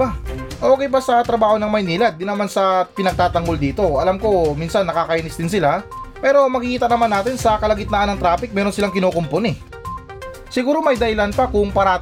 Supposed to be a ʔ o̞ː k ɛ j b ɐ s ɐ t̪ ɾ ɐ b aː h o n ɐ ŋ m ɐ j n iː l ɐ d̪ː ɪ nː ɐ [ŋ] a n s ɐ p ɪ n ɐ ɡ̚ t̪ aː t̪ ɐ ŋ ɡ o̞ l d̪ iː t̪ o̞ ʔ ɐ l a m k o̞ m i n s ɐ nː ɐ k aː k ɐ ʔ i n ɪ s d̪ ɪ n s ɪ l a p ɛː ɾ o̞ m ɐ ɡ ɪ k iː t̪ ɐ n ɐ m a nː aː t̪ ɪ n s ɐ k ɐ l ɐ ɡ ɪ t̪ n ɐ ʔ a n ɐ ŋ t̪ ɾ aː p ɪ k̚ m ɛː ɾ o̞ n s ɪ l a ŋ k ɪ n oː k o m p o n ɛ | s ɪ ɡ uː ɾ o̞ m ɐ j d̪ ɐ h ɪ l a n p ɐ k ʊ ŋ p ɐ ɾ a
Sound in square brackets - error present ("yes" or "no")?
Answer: yes